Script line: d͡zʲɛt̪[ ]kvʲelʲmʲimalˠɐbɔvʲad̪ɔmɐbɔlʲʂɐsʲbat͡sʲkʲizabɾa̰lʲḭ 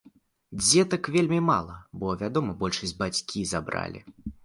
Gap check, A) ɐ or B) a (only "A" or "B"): A